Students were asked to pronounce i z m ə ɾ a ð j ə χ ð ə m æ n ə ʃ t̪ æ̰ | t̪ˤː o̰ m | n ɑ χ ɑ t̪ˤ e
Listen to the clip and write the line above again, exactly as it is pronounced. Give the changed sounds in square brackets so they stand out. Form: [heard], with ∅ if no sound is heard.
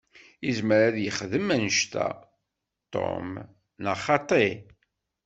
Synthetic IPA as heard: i z m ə ɾ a ð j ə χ ð ə m æ n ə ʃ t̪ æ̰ | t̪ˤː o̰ m | n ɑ χ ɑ t̪ˤ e